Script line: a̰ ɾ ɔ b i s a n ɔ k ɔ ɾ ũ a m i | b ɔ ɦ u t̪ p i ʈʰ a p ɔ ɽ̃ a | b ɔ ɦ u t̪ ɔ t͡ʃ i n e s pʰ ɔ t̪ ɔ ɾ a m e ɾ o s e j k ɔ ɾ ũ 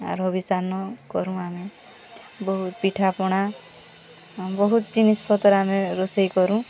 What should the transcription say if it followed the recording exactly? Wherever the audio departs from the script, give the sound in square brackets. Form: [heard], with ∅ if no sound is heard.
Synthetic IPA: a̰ ɾ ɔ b i s a n ɔ k ɔ ɾ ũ a m [e] | b ɔ ɦ u t̪ p i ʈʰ a p ɔ ɽ̃ a | b ɔ ɦ u t̪ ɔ t͡ʃ i n [i] s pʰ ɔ t̪ ɔ ɾ a m e ɾ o s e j k ɔ ɾ ũ